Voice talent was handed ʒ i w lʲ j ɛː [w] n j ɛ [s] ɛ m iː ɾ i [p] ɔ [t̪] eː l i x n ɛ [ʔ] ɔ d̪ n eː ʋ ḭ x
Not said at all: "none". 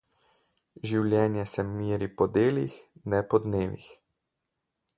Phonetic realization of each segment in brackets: none, s, p, d̪, p

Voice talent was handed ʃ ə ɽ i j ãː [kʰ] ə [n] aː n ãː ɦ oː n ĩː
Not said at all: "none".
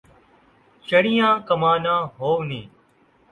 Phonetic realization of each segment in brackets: k, m

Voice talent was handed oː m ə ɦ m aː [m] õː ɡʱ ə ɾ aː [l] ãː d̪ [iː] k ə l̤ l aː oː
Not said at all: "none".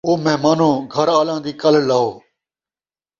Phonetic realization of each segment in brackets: n, l, iː

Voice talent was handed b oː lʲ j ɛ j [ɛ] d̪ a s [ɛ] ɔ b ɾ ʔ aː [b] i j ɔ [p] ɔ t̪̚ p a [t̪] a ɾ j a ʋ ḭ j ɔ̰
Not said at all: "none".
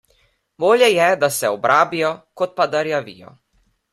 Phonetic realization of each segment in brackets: ɛ, ɛ, b, k, d̪

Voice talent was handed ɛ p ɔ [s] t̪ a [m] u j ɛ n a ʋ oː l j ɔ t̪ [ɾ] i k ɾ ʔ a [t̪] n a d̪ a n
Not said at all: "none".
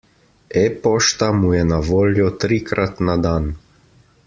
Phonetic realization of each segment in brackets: ʃ, m, ɾ, t̪

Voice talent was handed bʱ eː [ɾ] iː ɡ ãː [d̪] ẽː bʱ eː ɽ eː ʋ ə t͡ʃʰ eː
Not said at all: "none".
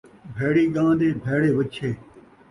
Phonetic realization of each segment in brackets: ɽ, d̪

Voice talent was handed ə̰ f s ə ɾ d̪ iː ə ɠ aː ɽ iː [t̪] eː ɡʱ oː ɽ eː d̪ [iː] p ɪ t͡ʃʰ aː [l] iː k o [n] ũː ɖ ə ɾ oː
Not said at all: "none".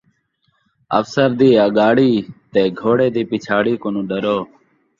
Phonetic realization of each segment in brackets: t̪, iː, ɽ, n

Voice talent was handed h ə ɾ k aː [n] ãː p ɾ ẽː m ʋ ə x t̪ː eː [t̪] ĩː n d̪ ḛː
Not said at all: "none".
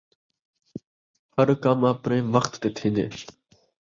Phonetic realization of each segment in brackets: m, t̪ʰ

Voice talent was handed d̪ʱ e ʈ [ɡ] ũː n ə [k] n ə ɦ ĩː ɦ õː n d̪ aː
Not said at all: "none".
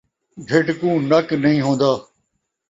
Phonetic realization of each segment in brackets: k, k

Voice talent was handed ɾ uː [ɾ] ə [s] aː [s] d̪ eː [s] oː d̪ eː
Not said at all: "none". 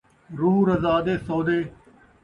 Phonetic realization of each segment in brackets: ɾ, z, none, s

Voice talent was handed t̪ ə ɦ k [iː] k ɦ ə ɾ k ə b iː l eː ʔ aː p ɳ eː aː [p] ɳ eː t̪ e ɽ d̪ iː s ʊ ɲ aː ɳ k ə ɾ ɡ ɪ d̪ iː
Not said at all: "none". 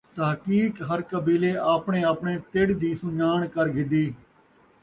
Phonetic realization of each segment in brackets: iː, p

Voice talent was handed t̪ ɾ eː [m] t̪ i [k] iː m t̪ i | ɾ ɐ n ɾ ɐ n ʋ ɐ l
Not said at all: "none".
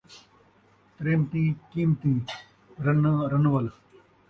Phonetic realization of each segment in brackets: m, k

